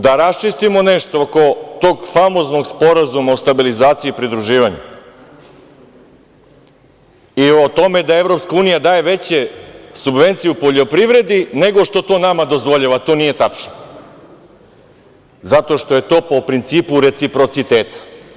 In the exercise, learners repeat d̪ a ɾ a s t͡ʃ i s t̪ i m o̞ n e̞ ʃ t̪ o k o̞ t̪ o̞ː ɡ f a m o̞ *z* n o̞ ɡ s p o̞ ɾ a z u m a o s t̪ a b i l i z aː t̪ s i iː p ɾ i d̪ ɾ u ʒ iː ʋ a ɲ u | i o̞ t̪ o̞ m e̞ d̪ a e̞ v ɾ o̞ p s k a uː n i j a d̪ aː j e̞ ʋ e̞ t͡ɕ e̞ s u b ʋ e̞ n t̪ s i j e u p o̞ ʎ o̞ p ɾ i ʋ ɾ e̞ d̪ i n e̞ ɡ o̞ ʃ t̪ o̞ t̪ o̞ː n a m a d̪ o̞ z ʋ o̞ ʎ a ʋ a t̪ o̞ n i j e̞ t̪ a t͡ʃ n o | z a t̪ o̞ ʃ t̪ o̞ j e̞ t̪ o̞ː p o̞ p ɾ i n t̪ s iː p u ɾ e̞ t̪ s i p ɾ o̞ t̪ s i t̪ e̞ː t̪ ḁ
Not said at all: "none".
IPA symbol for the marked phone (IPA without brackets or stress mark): z